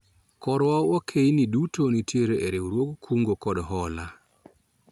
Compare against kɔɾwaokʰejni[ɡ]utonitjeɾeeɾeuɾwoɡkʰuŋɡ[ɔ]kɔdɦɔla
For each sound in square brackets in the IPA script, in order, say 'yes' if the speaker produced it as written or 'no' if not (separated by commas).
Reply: no, no